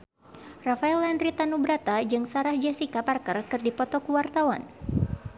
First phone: r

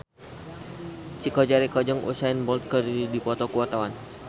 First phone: t͡ʃ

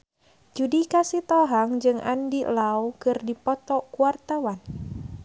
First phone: d͡ʒ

